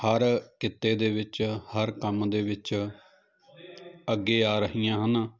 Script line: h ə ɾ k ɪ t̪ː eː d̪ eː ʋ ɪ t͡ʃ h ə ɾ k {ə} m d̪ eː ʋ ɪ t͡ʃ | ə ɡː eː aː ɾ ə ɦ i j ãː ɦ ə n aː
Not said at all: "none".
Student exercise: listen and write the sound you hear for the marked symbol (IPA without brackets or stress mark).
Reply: ə